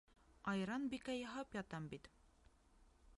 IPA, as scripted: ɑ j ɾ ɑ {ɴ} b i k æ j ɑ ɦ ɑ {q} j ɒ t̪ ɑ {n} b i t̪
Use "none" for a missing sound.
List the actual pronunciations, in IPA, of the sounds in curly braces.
n, p, m

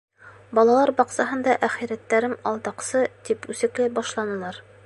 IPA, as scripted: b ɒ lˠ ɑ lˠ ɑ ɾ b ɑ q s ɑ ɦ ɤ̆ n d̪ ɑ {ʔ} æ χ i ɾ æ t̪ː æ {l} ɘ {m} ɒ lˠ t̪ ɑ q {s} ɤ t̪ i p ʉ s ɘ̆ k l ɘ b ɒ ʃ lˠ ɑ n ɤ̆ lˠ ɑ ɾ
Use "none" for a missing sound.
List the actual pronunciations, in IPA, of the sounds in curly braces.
ʔ, ɾ, m, s

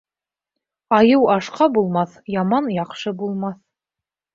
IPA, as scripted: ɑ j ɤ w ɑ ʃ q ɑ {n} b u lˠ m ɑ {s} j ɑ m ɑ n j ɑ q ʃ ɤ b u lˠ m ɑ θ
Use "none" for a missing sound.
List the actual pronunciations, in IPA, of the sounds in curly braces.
none, θ

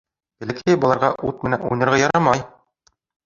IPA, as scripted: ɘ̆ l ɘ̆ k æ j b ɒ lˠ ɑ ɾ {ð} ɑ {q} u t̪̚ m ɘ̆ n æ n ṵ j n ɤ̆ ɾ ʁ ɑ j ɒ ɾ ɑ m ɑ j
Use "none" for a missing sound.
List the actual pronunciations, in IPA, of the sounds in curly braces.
ʁ, ʔ

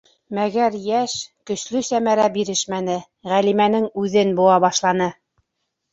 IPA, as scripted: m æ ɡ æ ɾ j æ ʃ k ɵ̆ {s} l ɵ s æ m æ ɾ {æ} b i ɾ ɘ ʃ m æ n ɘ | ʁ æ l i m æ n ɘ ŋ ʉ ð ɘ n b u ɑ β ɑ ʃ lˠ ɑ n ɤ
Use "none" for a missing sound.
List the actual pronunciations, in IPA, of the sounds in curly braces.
ʃ, æ

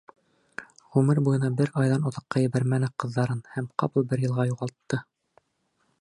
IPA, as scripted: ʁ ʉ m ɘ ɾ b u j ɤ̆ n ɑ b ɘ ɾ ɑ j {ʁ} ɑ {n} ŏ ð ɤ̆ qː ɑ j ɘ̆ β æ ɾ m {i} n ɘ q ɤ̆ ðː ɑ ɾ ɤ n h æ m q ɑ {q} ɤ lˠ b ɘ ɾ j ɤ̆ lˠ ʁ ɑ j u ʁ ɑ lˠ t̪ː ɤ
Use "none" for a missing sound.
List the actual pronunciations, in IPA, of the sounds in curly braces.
ð, n, æ, p

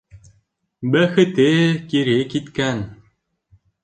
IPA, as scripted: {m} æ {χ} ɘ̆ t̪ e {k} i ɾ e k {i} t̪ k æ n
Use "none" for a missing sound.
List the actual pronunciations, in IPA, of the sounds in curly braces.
b, x, k, i

